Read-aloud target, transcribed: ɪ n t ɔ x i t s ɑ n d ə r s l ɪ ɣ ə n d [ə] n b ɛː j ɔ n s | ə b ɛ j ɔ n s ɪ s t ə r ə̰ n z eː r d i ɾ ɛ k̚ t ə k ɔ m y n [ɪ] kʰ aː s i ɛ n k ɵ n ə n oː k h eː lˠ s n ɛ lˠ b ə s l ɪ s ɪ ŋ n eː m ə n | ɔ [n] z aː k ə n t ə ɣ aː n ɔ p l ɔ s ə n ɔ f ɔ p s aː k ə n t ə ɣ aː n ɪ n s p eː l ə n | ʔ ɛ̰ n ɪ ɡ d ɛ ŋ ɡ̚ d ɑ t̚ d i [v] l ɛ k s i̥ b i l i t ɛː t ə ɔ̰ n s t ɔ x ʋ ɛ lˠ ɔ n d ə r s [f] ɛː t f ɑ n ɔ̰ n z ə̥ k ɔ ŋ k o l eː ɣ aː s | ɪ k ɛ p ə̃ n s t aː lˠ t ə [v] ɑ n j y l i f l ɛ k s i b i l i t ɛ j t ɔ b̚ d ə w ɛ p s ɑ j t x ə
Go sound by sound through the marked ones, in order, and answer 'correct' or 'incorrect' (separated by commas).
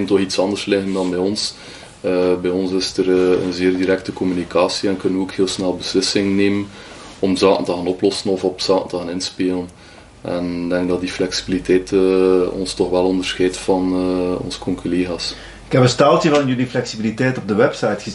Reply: incorrect, incorrect, incorrect, incorrect, incorrect, correct